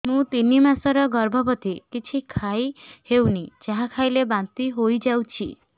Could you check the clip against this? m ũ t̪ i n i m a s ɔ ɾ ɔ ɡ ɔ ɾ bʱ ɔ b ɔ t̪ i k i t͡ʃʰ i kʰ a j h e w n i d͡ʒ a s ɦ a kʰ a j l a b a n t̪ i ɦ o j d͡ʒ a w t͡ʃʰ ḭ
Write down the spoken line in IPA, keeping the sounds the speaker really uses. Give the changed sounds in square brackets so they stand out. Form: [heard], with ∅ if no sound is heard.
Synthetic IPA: m ũ t̪ i n i m a s ɔ ɾ ɔ ɡ ɔ ɾ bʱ ɔ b ɔ t̪ i k i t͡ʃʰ i kʰ a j h e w n i d͡ʒ a [∅] ɦ a kʰ a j l [e] b a n t̪ i ɦ o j d͡ʒ a w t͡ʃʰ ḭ